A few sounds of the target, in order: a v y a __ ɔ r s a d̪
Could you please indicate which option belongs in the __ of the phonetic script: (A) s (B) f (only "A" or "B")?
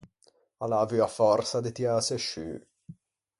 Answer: B